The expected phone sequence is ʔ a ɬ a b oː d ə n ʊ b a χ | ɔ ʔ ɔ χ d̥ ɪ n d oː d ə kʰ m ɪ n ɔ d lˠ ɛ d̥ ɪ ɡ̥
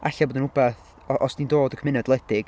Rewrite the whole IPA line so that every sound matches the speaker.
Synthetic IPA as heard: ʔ a ɬ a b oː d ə n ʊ b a θ | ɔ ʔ ɔ s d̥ i n d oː d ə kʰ m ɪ n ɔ d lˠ ɛ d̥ ɪ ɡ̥